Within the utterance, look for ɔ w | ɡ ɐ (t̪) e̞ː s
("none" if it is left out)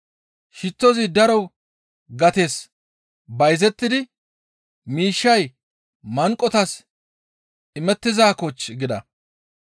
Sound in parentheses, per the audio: t̪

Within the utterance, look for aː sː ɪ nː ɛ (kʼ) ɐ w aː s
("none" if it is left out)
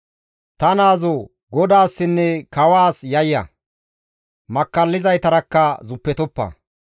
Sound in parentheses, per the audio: k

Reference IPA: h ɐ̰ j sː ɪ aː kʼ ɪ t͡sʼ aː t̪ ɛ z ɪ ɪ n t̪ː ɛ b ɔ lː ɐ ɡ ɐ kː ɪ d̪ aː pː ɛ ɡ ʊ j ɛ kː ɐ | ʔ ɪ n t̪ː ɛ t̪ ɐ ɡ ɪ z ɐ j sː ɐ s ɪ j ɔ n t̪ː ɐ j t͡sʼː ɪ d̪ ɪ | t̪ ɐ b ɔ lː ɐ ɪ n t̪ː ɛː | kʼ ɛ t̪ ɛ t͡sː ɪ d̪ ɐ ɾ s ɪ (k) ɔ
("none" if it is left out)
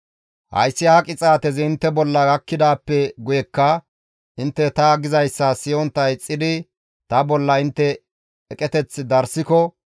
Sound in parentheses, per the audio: k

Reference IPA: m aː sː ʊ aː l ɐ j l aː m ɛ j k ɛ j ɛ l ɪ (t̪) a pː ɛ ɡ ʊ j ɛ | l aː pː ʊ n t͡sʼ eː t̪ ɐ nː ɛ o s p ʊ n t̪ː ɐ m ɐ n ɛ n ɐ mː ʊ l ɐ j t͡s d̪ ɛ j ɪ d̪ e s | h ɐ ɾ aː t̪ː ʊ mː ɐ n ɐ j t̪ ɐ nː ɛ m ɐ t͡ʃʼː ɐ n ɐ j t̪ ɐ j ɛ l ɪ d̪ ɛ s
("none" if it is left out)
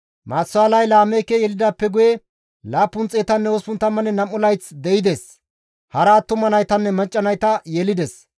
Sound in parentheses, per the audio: d̪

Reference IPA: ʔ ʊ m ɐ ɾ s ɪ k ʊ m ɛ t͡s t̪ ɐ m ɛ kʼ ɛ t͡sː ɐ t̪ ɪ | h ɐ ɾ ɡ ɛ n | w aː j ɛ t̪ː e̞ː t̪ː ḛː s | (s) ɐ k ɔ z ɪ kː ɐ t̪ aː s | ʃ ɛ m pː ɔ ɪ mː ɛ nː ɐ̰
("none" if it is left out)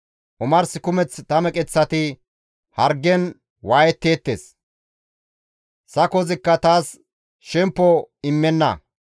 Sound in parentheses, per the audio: s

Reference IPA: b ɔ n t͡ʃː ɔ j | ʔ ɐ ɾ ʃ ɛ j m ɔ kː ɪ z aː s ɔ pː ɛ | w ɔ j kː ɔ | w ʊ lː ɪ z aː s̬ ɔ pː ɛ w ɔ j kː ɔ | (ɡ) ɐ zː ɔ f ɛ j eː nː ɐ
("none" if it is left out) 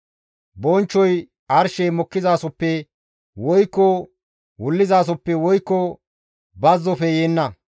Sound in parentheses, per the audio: b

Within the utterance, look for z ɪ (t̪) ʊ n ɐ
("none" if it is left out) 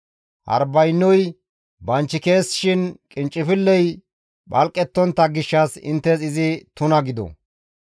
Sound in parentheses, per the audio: t̪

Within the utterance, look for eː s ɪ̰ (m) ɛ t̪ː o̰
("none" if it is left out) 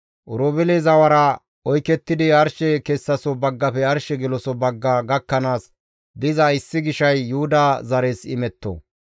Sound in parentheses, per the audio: m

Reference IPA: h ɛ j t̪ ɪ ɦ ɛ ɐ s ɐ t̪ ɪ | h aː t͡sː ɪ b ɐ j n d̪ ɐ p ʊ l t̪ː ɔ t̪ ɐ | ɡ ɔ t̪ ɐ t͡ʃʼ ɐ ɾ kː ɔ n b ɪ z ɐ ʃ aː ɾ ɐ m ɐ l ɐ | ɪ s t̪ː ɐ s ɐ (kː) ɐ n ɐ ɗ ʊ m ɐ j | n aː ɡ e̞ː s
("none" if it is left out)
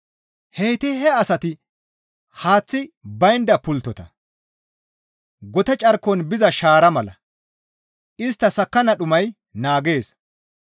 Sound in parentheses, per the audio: kː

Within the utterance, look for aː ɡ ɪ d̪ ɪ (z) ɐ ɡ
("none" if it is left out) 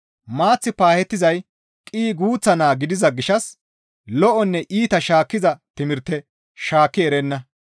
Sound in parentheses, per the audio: z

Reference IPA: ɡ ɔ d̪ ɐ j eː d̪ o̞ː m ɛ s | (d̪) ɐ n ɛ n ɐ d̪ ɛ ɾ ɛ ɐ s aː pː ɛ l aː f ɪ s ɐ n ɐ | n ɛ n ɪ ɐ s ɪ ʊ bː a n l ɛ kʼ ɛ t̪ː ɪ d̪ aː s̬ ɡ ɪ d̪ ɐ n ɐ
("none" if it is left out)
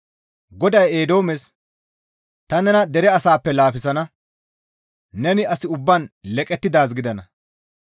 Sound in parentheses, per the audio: t̪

